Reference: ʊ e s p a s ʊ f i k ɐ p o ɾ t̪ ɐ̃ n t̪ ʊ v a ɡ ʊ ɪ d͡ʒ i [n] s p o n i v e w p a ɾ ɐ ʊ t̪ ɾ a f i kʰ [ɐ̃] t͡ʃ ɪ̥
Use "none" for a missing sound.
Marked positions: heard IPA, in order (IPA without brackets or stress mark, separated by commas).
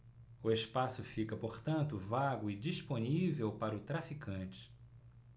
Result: none, ɐ̃